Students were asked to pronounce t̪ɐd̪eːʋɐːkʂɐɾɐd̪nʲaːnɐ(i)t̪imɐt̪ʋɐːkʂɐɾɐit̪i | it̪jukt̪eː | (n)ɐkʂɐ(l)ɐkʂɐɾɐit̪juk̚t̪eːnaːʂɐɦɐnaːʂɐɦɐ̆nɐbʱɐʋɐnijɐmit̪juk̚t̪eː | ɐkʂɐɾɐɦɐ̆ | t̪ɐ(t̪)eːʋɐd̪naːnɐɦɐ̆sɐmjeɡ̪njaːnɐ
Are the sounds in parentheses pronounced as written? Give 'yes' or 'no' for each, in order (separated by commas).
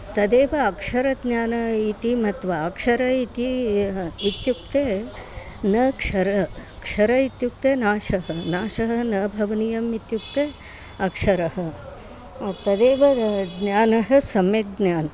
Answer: yes, yes, no, no